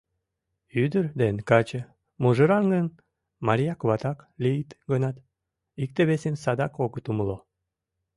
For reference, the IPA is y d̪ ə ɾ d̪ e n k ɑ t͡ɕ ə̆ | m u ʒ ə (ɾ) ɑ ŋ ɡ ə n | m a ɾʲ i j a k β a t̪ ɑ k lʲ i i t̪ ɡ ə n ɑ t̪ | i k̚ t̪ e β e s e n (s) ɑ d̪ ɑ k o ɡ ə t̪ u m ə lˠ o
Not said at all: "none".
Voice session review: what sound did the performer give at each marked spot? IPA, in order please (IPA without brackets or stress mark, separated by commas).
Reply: ɾ, s